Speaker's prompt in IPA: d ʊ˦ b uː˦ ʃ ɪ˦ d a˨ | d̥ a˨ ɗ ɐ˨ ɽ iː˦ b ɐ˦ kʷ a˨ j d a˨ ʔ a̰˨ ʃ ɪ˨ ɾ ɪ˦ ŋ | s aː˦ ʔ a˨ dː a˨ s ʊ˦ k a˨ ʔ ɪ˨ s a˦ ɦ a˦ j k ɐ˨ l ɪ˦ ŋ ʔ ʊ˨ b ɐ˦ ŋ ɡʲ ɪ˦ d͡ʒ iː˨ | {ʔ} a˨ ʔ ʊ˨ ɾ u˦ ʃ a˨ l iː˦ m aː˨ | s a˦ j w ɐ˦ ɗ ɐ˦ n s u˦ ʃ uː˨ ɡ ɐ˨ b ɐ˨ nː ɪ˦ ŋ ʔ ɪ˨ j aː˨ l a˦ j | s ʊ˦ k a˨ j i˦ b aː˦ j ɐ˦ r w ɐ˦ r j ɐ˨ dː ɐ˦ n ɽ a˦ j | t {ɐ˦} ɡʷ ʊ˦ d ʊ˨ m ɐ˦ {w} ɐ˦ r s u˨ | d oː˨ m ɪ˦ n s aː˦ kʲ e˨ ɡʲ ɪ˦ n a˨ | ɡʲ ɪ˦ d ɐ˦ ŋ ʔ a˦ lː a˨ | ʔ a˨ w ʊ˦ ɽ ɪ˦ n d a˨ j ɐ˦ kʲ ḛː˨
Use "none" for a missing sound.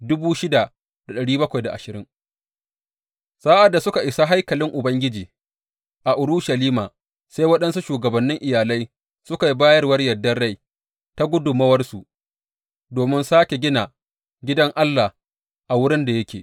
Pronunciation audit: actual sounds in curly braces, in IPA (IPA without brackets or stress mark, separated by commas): ʔ, a˦, w